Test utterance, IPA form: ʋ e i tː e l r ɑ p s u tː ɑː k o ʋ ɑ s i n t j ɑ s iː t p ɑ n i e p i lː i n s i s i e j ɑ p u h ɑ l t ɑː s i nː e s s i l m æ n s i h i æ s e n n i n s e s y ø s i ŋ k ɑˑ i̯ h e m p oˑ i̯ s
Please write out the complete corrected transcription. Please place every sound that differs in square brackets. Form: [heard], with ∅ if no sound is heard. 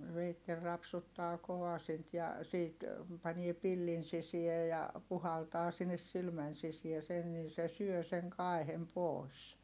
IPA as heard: ʋ e i tː e l r ɑ p s u tː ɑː k o ʋ ɑ s i n t j ɑ s iː t p ɑ n i e p i lː i n s i s i e j ɑ p u h ɑ l t ɑː s i nː e s s i l m æ n s i [s] i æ s e n n i n s e s y ø s i ŋ k ɑˑ i̯ h e m p oˑ i̯ s